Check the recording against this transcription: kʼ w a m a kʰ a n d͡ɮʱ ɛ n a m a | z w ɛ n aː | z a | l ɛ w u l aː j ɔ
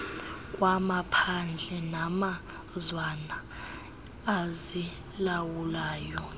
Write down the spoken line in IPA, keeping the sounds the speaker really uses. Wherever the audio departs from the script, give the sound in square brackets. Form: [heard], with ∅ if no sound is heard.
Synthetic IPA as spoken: kʼ w a m a [pʰ] a n d͡ɮʱ ɛ n a m a | z w [a] n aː | z [i] | l [a] w u l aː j ɔ